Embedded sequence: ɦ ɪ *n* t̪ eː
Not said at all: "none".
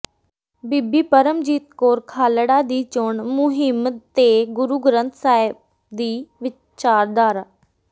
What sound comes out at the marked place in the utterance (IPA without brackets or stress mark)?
m